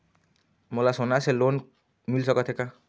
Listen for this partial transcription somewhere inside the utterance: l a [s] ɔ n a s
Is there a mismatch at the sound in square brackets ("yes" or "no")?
no